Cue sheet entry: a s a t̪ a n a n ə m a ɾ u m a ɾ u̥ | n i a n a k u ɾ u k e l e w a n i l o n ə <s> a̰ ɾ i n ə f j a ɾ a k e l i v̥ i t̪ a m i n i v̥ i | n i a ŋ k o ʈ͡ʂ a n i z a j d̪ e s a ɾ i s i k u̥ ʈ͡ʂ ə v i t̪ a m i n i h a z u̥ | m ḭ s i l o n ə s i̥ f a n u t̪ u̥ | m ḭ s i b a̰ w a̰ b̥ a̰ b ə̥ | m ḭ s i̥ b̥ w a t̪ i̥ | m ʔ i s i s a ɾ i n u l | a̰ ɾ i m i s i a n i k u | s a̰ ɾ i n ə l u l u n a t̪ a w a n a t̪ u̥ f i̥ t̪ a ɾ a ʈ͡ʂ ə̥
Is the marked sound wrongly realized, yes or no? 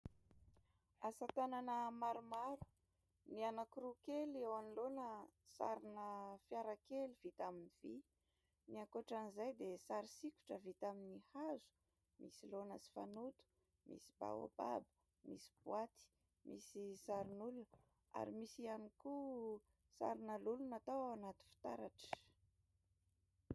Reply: no